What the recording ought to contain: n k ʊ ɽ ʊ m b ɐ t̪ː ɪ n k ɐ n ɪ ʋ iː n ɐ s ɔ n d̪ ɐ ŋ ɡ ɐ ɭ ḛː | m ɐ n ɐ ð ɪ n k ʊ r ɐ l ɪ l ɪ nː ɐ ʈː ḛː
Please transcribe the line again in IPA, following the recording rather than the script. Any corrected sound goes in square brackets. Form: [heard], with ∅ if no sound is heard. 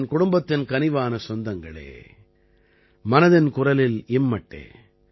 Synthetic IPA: n k ʊ ɽ ʊ m b ɐ t̪ː ɪ n k ɐ n ɪ ʋ [aː] n ɐ s ɔ n d̪ ɐ ŋ ɡ ɐ ɭ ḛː | m ɐ n ɐ ð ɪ n k ʊ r ɐ l ɪ l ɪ [mː] ɐ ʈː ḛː

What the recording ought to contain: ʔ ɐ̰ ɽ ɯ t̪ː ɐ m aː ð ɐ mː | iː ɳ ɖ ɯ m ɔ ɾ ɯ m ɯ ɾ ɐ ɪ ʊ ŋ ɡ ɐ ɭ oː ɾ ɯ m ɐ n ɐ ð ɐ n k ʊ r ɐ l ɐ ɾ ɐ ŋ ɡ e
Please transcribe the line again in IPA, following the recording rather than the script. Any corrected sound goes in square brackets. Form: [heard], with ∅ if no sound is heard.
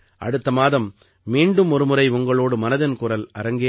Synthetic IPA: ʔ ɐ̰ ɽ ɯ t̪ː ɐ m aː ð ɐ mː | iː ɳ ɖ ɯ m ɔ ɾ ɯ m ɯ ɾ ɐ ɪ ʊ ŋ ɡ ɐ ɭ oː [ɽ] ɯ m ɐ n ɐ ð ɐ n k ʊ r ɐ l ɐ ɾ ɐ ŋ ɡ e

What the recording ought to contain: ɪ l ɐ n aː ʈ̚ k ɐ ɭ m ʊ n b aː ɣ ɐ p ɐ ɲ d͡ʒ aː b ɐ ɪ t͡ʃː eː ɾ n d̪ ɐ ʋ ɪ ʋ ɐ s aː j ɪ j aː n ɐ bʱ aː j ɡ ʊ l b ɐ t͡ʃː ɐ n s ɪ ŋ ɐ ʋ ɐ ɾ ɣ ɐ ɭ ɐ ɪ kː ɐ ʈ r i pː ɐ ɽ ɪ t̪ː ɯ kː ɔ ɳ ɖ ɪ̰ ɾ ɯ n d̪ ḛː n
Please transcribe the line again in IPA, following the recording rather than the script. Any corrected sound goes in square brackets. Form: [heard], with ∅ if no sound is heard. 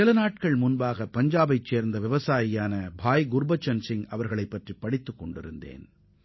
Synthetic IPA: ɪ l ɐ n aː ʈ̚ k ɐ ɭ m ʊ n b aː ɣ ɐ p ɐ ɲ d͡ʒ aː b ɐ ɪ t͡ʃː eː ɾ n d̪ ɐ ʋ ɪ ʋ ɐ s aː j ɪ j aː n ɐ bʱ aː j ɡ ʊ [ɾ] b ɐ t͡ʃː ɐ n s ɪ ŋ ɐ ʋ ɐ ɾ ɣ ɐ ɭ ɐ ɪ [pː] ɐ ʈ r i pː ɐ ɽ ɪ t̪ː ɯ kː ɔ ɳ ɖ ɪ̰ ɾ ɯ n d̪ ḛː n

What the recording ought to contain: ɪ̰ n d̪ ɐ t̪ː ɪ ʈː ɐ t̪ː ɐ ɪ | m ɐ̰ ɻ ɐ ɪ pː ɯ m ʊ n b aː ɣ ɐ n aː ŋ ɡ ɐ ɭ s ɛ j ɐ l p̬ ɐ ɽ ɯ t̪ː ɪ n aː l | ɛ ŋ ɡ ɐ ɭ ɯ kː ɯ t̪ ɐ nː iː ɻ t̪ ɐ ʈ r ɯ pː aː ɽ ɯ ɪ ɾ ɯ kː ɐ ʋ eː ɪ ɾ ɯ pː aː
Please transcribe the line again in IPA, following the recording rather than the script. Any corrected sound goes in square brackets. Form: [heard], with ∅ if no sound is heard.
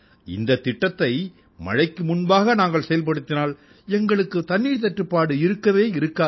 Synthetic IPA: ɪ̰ n d̪ ɐ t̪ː ɪ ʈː ɐ t̪ː ɐ ɪ | m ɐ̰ ɻ ɐ ɪ [kː] ɯ m ʊ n b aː ɣ ɐ n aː ŋ ɡ ɐ ɭ s ɛ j ɐ l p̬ ɐ ɽ ɯ t̪ː ɪ n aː l | ɛ ŋ ɡ ɐ ɭ ɯ kː ɯ t̪ ɐ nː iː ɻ t̪ ɐ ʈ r ɯ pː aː ɽ ɯ ɪ ɾ ɯ kː ɐ ʋ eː ɪ ɾ ɯ [kː] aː

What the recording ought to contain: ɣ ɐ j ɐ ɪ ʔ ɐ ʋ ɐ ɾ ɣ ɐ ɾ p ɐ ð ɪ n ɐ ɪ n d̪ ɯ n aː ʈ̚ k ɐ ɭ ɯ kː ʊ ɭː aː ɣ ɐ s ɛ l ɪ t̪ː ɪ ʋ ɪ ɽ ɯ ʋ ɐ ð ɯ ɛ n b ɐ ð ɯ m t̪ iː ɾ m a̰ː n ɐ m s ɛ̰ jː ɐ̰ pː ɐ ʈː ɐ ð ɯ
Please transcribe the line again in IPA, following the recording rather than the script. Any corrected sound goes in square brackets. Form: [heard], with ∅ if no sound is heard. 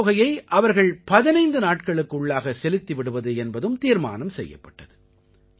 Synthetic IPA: ɣ ɐ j ɐ ɪ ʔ ɐ ʋ ɐ ɾ ɣ ɐ [ɭ] p ɐ ð ɪ n ɐ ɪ n d̪ ɯ n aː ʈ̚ k ɐ ɭ ɯ kː ʊ ɭː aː ɣ ɐ s ɛ l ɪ t̪ː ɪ ʋ ɪ ɽ ɯ ʋ ɐ ð ɯ ɛ n b ɐ ð ɯ m t̪ iː ɾ m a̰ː n ɐ m s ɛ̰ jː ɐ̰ pː ɐ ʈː ɐ ð ɯ

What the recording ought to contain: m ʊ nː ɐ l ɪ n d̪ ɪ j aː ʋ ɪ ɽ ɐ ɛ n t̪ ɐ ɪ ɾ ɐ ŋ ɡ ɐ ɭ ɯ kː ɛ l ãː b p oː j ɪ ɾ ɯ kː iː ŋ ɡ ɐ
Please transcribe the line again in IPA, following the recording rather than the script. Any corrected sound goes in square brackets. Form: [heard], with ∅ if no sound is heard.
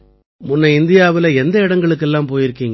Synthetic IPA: m ʊ nː ɐ [∅] ɪ n d̪ ɪ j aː ʋ ɪ [l] ɐ ɛ n [d̪] ɐ ɪ [ɽ] ɐ ŋ ɡ ɐ ɭ ɯ kː ɛ [lː] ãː [m] p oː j ɪ ɾ ɯ kː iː ŋ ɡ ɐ

